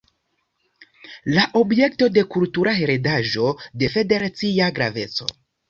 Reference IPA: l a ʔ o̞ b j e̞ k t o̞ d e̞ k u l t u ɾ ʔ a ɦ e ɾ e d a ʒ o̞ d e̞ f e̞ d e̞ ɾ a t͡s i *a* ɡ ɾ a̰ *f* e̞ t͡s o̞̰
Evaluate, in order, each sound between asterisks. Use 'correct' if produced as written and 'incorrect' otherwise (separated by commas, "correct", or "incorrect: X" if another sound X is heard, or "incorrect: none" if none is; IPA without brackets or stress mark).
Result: correct, incorrect: v